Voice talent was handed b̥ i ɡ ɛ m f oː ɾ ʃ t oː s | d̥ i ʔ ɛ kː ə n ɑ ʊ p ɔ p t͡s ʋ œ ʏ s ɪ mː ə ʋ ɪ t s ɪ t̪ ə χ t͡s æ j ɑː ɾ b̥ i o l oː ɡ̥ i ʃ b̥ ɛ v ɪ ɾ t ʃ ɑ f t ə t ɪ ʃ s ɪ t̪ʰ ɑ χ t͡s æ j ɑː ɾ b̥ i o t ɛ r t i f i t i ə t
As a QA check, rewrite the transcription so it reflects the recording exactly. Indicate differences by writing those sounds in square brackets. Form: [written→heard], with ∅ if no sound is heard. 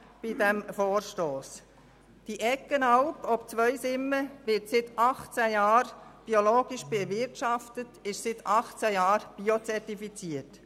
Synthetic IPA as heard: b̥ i [ɡ→d] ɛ m f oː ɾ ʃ t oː s | d̥ i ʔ ɛ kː ə n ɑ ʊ p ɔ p t͡s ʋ œ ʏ s ɪ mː ə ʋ ɪ t s ɪ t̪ [ə→ɑ] χ t͡s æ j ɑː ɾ b̥ i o l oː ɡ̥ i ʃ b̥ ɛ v ɪ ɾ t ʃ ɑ f t ə t ɪ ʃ s ɪ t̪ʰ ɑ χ t͡s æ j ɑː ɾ b̥ i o [t→t͡s] ɛ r t i f i [t→t͡s] i ə t